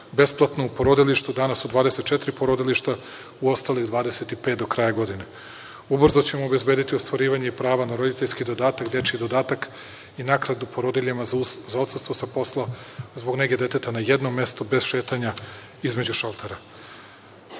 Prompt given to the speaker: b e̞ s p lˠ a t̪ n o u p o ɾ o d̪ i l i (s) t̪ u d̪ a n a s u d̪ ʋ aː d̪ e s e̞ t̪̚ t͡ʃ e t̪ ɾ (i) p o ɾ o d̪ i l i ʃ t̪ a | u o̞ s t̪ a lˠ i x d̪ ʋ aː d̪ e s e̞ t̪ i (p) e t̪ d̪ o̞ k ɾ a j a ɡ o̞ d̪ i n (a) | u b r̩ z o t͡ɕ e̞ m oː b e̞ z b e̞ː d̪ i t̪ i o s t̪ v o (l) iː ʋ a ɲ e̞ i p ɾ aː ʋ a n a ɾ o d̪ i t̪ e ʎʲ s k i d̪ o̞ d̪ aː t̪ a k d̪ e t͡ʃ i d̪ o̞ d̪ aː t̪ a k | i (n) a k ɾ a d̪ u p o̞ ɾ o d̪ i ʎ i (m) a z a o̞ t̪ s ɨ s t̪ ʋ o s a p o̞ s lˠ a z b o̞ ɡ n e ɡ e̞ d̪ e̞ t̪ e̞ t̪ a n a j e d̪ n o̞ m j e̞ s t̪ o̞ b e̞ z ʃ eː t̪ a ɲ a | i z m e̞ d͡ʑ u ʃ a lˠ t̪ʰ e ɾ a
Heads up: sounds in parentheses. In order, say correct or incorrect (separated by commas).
incorrect, correct, correct, incorrect, incorrect, correct, correct